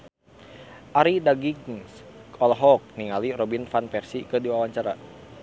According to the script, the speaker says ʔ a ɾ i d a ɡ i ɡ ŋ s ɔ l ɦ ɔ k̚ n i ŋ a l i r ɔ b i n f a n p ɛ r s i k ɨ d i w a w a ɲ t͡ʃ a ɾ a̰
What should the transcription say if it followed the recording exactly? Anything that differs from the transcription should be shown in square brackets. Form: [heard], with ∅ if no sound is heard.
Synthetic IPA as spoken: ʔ a ɾ i d a ɡ i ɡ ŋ s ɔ l ɦ ɔ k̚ n i ŋ a l i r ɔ b i n f a n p ɛ r s i k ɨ d i w a w a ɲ t͡ʃ a ɾ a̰